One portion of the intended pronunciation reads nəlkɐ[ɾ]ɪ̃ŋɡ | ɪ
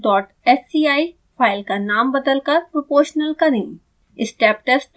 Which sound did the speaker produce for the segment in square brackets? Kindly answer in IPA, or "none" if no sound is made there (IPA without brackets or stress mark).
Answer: ɾ